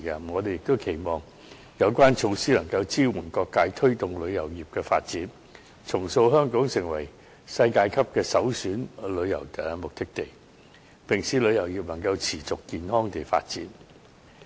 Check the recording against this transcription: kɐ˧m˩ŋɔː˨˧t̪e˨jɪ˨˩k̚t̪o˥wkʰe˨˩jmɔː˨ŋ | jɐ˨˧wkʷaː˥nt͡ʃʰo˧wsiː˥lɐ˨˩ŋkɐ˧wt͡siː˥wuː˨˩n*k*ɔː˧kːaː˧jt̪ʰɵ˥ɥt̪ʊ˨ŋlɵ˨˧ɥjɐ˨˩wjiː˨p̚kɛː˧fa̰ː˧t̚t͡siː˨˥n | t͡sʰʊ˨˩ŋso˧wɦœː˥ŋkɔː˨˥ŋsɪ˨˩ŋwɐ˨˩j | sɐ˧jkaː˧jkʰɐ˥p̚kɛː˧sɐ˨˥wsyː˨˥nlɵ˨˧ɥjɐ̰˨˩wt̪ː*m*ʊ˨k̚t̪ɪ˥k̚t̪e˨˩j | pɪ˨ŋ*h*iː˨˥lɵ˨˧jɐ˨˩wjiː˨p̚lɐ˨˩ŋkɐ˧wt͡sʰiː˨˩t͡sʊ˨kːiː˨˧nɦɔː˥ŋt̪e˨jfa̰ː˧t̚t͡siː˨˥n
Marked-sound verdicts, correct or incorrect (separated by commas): correct, correct, incorrect